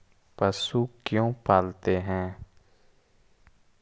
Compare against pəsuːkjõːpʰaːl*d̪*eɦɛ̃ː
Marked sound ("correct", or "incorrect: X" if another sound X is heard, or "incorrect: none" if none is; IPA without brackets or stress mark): incorrect: t̪